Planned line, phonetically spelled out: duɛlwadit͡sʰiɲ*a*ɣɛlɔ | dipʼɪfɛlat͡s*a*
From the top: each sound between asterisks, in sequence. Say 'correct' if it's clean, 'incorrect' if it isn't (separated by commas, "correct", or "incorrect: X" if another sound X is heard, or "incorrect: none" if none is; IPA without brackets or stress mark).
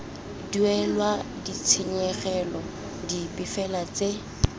incorrect: ɛ, incorrect: e